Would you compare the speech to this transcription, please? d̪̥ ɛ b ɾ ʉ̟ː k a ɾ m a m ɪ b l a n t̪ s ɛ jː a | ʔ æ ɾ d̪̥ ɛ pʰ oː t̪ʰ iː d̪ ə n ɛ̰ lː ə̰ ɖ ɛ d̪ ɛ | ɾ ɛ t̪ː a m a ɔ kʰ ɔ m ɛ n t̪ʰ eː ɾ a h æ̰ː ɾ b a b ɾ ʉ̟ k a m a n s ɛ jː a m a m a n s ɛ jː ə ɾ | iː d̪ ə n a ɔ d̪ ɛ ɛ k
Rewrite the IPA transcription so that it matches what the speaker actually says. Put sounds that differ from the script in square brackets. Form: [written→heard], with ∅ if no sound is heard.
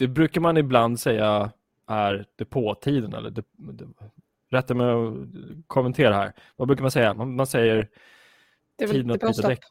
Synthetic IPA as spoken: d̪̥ ɛ b ɾ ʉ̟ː k a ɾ m a [m→n] ɪ b l a n [t̪→d̪] s ɛ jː a | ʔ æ ɾ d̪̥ ɛ pʰ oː t̪ʰ iː d̪ ə n ɛ̰ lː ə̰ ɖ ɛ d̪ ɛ | ɾ ɛ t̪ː a m [a→ɛ] ɔ kʰ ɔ m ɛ n t̪ʰ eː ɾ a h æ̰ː ɾ [b→v] a b ɾ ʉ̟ k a m a n s ɛ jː a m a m a n s ɛ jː ə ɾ | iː d̪ ə n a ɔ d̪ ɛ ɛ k